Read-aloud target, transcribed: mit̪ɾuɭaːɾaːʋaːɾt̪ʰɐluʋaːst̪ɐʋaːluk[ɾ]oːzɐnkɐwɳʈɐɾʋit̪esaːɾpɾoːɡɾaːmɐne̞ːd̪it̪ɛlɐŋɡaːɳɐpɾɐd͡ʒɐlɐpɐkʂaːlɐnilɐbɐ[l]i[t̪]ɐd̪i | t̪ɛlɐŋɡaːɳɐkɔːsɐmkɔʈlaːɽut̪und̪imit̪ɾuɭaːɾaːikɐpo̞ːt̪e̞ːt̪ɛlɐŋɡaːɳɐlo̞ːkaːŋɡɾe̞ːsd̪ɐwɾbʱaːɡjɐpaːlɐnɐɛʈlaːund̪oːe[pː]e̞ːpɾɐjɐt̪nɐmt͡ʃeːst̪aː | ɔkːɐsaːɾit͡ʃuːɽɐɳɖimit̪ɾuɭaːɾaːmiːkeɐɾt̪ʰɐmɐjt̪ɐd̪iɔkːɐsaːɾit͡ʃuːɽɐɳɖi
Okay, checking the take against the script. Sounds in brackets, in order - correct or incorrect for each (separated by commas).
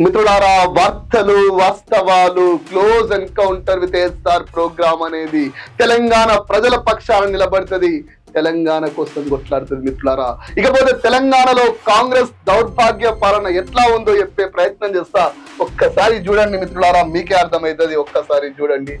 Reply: incorrect, incorrect, correct, correct